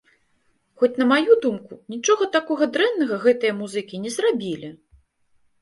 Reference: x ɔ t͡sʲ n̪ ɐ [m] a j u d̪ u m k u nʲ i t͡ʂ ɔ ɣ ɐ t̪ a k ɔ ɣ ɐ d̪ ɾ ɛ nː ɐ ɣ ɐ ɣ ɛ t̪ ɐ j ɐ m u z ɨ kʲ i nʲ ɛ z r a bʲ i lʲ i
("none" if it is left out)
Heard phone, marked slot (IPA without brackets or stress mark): m